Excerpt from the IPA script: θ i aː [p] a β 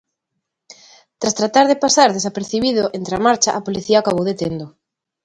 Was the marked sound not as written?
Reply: yes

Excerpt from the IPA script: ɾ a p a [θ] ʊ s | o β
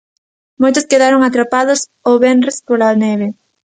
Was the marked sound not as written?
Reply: yes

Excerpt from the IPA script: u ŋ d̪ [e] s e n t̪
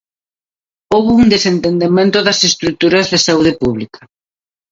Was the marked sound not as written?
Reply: no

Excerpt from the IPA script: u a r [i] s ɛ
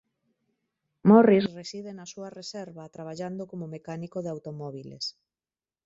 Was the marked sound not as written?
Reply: yes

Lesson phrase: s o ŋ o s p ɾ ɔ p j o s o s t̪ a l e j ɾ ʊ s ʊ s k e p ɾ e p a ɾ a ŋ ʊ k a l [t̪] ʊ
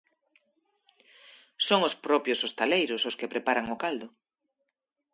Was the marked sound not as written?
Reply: yes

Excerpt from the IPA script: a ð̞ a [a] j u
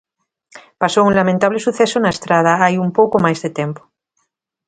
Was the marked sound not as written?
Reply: no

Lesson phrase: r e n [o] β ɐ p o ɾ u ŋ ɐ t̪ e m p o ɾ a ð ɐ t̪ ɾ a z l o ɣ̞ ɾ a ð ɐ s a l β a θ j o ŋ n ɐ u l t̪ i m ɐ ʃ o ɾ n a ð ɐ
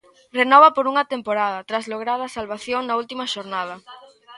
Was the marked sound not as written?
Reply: yes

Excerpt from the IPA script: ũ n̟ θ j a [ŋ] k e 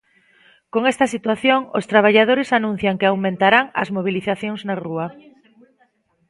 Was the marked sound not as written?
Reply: no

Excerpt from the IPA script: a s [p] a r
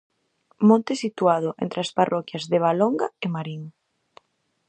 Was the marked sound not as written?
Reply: no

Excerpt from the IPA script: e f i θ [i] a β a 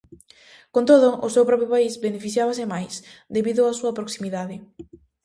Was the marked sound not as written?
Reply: yes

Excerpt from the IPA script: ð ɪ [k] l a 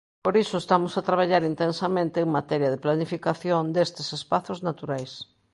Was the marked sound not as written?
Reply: yes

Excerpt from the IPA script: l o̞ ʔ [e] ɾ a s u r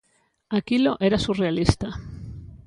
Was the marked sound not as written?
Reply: no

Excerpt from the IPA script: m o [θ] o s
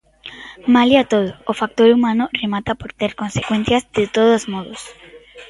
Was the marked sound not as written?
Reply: yes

